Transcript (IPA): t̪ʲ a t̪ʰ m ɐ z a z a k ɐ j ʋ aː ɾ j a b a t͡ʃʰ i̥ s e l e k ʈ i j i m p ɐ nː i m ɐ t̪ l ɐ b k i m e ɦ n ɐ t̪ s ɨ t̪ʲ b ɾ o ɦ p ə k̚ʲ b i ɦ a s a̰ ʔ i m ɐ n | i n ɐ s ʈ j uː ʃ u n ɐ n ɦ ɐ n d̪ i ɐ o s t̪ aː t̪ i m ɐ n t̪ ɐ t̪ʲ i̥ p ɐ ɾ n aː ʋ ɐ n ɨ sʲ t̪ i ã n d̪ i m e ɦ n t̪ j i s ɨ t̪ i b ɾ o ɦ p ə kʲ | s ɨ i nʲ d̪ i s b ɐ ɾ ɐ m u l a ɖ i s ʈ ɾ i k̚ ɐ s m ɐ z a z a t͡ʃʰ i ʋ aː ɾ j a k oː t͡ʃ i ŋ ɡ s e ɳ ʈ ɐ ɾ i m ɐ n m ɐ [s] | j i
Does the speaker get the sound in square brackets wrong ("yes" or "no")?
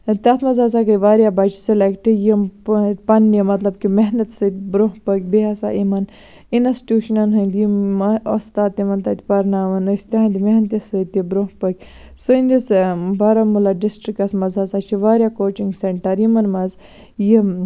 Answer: yes